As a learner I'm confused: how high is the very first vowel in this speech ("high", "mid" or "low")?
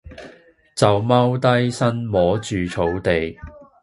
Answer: low